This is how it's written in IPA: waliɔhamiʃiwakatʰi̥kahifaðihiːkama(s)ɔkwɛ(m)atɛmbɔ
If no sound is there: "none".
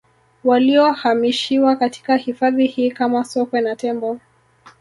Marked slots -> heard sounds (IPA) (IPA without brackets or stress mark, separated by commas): s, n